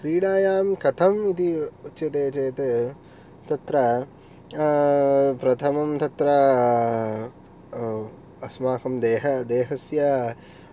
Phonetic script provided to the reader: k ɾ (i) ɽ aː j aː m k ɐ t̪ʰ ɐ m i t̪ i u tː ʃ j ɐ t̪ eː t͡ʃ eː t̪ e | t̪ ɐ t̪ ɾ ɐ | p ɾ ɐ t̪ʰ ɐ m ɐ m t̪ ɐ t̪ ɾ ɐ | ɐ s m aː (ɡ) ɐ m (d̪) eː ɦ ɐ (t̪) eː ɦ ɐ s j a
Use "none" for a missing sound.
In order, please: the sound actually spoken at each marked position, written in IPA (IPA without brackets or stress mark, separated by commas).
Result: iː, k, d̪, d̪